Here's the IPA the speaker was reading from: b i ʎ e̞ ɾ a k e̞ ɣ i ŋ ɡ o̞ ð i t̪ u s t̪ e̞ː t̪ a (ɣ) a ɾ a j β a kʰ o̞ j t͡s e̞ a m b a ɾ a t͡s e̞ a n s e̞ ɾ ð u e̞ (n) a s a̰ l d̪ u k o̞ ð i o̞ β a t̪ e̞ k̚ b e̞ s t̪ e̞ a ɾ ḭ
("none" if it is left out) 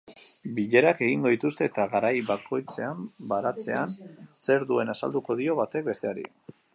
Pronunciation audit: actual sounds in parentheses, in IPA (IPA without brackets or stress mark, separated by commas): ɣ, n